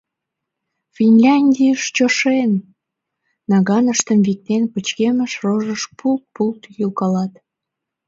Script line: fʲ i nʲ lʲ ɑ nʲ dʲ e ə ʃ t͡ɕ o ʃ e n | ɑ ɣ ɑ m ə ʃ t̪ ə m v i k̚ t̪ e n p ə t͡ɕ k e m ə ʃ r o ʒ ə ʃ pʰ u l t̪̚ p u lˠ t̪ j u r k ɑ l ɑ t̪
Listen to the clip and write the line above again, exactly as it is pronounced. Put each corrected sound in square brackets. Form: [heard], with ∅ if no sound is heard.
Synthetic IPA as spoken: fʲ i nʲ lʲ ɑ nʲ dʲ [i] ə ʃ t͡ɕ o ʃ e n | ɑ ɣ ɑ [n] ə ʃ t̪ ə m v i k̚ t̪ e n p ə t͡ɕ k e m ə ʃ r o ʒ ə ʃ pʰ u l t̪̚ p u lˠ t̪ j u [l] k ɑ l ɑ t̪